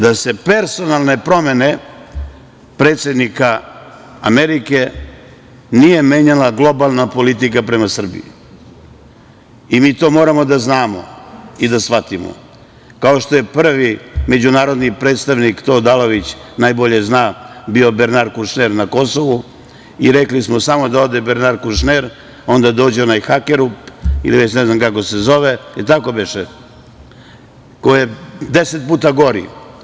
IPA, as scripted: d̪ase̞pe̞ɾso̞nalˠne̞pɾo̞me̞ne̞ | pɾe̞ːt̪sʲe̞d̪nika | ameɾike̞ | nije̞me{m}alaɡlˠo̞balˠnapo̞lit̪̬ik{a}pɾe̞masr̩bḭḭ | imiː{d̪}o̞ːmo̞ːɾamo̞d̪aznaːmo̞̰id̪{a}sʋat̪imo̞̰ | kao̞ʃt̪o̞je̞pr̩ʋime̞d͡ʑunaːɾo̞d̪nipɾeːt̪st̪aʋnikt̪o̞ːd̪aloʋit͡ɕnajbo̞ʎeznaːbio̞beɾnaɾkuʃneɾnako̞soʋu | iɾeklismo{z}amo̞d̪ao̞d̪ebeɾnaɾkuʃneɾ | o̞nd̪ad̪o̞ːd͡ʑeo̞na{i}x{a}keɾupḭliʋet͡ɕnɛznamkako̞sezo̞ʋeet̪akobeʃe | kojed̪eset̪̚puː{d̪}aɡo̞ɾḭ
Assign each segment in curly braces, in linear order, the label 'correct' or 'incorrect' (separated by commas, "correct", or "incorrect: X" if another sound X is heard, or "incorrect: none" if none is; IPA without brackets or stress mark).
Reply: incorrect: ɲ, correct, incorrect: t̪, correct, incorrect: s, incorrect: j, correct, incorrect: t̪